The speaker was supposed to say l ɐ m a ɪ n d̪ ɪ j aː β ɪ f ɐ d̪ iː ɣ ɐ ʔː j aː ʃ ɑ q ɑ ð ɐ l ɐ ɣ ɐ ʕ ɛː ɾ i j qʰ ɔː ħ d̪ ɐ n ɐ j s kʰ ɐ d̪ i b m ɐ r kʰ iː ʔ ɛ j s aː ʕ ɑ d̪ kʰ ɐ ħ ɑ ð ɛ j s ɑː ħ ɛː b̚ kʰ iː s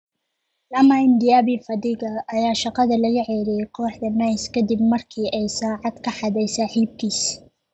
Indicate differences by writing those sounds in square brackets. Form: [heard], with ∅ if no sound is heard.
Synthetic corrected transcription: l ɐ m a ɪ n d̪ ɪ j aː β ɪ f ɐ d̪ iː ɣ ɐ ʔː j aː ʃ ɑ q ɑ ð ɐ l ɐ ɣ ɐ ʕ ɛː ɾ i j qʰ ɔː ħ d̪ ɐ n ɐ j s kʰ ɐ d̪ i b m ɐ r kʰ iː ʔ ɛ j s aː ʕ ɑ d̪ kʰ ɐ ħ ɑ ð ɛ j s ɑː ħ [iː] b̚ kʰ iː s